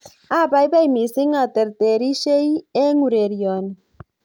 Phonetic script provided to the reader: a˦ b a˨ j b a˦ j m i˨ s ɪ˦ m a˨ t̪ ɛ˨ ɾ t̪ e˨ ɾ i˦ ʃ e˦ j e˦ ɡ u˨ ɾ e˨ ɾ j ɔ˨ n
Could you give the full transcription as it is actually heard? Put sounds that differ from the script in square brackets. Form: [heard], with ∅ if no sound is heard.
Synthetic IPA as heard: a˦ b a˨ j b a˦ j m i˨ s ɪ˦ [ŋ] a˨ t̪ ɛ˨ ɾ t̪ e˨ ɾ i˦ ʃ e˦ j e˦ [ŋ] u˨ ɾ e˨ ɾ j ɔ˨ n